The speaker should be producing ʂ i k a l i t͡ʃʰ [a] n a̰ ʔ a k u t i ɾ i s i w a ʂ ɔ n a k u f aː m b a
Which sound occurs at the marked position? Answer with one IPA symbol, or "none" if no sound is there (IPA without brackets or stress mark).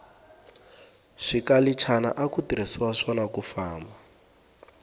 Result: a